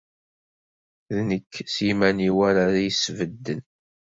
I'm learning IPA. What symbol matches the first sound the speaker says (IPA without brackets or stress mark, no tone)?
ð